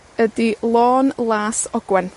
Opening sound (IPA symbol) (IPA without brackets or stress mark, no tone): ə